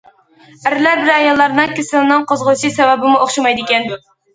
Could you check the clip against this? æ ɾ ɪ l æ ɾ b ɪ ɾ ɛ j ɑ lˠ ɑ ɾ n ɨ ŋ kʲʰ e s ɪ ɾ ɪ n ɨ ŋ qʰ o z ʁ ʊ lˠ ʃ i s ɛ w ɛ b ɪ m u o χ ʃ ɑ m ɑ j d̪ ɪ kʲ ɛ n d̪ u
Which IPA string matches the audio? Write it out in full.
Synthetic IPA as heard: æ ɾ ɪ l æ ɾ b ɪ ɾ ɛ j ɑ lˠː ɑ ɾ n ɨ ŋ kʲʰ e s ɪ l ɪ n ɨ ŋ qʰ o z ʁ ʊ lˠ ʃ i s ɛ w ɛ b ɪ m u o χ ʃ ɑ m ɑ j d̪ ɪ kʲ ɛ n d̪ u

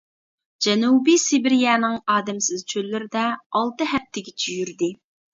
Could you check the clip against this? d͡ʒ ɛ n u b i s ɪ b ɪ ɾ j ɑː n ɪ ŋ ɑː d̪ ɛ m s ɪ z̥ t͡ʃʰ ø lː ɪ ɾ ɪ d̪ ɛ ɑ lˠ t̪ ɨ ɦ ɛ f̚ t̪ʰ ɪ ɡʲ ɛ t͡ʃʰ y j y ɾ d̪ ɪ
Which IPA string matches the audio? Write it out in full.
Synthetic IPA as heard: d͡ʒ ɛ n u b i s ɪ b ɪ ɾ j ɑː n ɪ ŋ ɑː d̪ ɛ m s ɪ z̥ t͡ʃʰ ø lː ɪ ɾ ɪ d̪ ɛ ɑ lˠ t̪ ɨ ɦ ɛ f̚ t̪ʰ ɪ ɡʲ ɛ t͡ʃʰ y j y ɾ d̪ ɪ

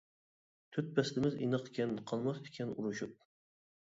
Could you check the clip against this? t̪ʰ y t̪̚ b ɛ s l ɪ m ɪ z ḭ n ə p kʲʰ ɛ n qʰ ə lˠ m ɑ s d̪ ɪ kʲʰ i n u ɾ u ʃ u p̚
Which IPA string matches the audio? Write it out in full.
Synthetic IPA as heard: t̪ʰ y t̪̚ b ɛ s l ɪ m ɪ z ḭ n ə q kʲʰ ɛ n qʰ ɑ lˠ m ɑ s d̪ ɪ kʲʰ ɛ n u ɾ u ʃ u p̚

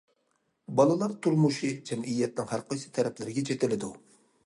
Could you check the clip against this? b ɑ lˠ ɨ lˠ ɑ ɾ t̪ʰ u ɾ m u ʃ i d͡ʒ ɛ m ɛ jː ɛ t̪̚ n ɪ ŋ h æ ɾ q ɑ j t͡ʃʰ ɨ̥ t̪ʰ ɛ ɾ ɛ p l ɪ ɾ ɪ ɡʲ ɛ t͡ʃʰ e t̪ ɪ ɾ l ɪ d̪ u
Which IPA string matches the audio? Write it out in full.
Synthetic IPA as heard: b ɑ lˠ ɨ lˠ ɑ ɾ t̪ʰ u ɾ m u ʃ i d͡ʒ ɛ m i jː ɛ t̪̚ n ɪ ŋ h æ ɾ q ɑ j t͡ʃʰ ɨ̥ t̪ʰ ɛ ɾ ɛ p l ɪ ɾ ɪ ɡʲ ɛ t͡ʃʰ e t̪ ɪ l ɪ d̪ u

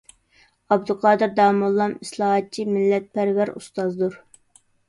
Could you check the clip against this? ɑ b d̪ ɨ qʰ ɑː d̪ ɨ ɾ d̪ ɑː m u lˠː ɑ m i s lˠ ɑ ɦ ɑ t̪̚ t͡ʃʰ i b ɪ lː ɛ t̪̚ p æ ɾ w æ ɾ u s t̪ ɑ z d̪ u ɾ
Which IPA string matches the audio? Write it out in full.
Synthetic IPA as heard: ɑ b d̪ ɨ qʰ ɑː d̪ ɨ ɾ d̪ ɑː m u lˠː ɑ m i s lˠ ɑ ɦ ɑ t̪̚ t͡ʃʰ i m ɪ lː ɛ t̪̚ p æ ɾ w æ ɾ u s t̪ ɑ z d̪ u ɾ

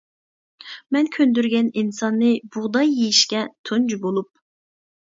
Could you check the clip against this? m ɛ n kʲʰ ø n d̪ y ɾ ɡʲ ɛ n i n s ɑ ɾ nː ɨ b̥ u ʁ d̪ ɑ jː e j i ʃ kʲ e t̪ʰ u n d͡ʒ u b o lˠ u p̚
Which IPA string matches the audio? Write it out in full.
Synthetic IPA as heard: m ɛ n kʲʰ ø n d̪ y ɾ ɡʲ ɛ n i n s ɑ nː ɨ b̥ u ʁ d̪ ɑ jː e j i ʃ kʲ ɛ t̪ʰ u n d͡ʒ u b o lˠ u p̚

